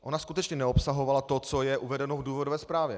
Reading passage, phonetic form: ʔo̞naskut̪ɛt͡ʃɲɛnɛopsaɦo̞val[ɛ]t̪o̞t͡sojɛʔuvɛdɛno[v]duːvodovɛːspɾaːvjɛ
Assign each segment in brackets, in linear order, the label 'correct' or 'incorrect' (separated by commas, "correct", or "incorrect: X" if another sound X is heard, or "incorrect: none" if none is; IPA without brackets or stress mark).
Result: incorrect: a, correct